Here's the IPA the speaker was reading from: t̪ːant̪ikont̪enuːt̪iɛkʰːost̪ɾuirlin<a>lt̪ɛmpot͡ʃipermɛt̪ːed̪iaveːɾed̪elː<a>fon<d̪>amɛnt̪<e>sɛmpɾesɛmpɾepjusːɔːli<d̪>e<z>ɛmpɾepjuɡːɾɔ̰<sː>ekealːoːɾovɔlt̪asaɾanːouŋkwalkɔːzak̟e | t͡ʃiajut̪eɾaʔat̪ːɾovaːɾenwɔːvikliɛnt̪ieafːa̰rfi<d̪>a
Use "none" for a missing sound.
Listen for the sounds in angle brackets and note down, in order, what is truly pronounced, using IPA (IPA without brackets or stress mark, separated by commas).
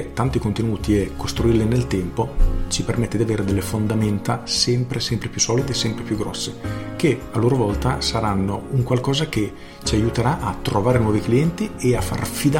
e, e, d̪, a, d̪, s, sː, d̪